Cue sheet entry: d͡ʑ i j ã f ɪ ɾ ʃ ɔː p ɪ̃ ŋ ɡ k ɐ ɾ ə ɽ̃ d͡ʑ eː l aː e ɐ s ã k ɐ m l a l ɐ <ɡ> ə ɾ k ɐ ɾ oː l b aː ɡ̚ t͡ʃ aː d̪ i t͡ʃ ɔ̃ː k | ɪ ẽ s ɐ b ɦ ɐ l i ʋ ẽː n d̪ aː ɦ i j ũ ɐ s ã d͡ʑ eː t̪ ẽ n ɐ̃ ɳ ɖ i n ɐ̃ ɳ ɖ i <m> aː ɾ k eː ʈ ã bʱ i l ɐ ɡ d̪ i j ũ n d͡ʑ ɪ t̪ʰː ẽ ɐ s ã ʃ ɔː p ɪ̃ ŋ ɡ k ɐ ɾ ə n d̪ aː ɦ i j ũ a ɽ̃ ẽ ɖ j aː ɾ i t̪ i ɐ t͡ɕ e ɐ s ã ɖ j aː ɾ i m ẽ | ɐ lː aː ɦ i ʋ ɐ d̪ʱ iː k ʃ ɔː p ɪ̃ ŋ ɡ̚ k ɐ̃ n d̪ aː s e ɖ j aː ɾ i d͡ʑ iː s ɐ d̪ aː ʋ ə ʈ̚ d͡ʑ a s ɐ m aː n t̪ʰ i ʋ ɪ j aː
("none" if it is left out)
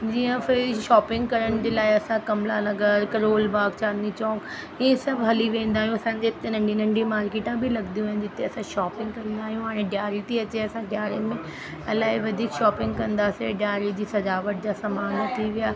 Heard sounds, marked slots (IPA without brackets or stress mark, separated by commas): ɡ, m